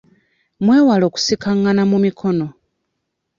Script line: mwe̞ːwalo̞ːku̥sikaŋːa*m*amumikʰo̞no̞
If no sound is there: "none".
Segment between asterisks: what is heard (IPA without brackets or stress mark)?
n